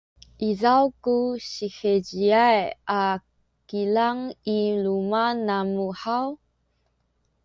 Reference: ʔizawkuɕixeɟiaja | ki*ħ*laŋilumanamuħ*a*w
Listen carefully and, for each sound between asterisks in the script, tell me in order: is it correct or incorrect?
incorrect: none, correct

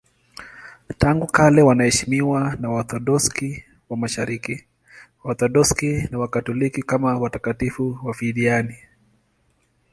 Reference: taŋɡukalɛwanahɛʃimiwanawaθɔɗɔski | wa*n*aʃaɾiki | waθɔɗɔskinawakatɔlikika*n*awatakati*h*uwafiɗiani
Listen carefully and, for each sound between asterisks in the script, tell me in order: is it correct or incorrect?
incorrect: m, incorrect: m, incorrect: f

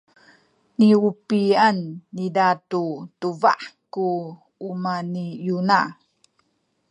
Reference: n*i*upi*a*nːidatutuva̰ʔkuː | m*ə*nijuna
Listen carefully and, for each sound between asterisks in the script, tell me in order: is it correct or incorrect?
correct, correct, incorrect: a

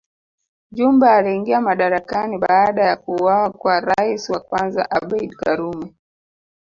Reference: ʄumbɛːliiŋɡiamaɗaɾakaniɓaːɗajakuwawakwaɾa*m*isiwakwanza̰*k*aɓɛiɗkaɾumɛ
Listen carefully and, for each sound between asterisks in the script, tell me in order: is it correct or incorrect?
incorrect: none, incorrect: ʔ

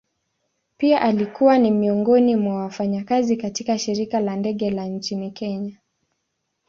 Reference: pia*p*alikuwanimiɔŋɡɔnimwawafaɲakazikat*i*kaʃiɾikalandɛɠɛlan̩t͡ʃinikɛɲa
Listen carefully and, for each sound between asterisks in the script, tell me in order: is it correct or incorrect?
incorrect: ʔ, correct

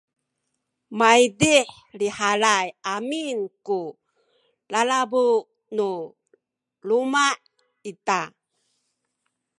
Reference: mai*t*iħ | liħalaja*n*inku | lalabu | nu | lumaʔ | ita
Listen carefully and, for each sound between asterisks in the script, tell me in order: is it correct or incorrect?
incorrect: d, incorrect: m

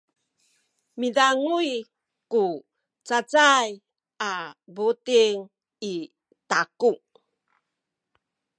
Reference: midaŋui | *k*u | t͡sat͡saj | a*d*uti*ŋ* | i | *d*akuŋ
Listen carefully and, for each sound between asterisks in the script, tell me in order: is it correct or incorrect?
correct, incorrect: b, correct, incorrect: t

